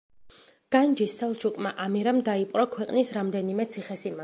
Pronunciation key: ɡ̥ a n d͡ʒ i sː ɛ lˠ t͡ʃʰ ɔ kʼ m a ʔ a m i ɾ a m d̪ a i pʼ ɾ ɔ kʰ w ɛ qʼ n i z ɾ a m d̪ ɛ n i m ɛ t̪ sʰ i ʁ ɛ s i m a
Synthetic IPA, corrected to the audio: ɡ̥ a n d͡ʒ i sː ɛ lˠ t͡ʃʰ u kʼ m a ʔ a m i ɾ a m d̪ a i pʼ ɾ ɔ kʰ w ɛ qʼ n i s ɾ a m d̪ ɛ n i m ɛ t̪ sʰ i χ ɛ s i m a

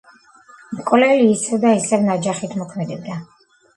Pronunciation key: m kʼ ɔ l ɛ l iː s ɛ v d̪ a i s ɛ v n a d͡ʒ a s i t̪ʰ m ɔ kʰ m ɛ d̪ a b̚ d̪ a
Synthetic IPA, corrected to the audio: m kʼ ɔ l ɛ l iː s ɛ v d̪ a i s ɛ v n a d͡ʒ a χ i t̪ʰ m ɔ kʰ m ɛ d̪ ɛ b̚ d̪ a

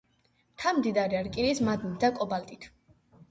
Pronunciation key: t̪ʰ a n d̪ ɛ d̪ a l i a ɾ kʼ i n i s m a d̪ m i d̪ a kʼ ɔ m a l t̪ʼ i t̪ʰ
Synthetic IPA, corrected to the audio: t̪ʰ a m d̪ i d̪ a ɾ i a ɾ kʼ i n i s m a d̪ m i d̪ a kʼ ɔ b a l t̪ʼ i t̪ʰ

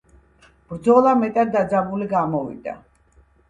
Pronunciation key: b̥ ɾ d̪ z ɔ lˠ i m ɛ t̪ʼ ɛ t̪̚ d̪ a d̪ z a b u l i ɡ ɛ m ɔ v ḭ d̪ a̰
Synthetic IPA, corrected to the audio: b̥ ɾ d̪ z ɔ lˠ a m ɛ t̪ʼ a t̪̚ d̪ a d̪ z a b u l i ɡ a m ɔ v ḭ d̪ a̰

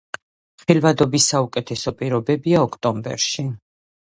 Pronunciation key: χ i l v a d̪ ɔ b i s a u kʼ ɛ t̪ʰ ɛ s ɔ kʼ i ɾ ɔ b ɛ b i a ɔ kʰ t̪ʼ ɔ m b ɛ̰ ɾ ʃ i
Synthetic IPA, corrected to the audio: χ i l v a d̪ ɔ b i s a u kʼ ɛ t̪ʰ ɛ s ɔ pʼ i ɾ ɔ b ɛ b i a ɔ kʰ t̪ʼ ɔ m b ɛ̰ ɾ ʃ i

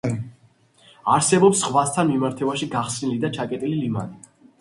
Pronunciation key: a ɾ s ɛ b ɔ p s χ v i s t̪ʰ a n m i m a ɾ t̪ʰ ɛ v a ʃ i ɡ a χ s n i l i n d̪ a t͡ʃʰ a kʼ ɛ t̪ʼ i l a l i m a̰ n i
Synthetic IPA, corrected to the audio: a ɾ s ɛ b ɔ p s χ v a s t̪ʰ a n m i m a ɾ t̪ʰ ɛ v a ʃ i ɡ a χ s n i l i d̪ a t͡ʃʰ a kʼ ɛ t̪ʼ i l i l i m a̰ n i

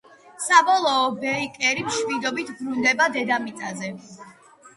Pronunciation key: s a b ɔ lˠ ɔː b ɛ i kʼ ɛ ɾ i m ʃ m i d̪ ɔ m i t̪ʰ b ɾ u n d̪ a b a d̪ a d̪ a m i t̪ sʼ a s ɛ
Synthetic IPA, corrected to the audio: s a b ɔ lˠ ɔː b ɛ i kʼ ɛ ɾ i m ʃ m i d̪ ɔ b i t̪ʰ b ɾ u n d̪ ɛ b a d̪ ɛ d̪ a m i t̪ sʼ a z ɛ

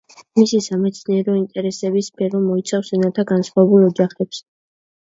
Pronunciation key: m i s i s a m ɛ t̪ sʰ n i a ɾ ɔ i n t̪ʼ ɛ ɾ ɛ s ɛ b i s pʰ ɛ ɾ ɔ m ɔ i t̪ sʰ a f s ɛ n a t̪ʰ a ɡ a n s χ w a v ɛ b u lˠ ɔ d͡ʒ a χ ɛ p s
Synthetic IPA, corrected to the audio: m i s i s a m ɛ t̪ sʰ n i ɛ ɾ ɔ i n t̪ʼ ɛ ɾ ɛ s ɛ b i s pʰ ɛ ɾ ɔ m ɔ i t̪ sʰ a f s ɛ n a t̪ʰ a ɡ a n s χ w a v ɛ b u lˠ ɔ d͡ʒ a χ ɛ p s

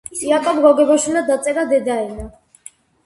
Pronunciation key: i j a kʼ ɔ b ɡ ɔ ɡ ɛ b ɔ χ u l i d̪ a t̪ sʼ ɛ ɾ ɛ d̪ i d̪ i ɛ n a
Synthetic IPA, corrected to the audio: i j a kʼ ɔ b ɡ ɔ ɡ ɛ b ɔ ʃ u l a d̪ a t̪ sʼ ɛ ɾ a d̪ ɛ d̪ a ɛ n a

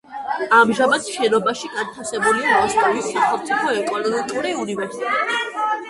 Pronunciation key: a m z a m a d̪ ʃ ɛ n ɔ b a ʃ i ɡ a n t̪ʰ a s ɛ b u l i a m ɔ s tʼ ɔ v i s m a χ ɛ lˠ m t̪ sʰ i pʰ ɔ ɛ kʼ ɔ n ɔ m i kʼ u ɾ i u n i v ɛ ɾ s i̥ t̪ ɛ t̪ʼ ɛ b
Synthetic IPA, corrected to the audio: a m ʒ a m a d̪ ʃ ɛ n ɔ b a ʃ i ɡ a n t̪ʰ a s ɛ b u l i a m ɔ s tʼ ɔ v i s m a χ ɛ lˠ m t̪ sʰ i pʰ ɔ ɛ kʼ ɔ n ɔ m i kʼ u ɾ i u n i v ɛ ɾ s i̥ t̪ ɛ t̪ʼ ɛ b

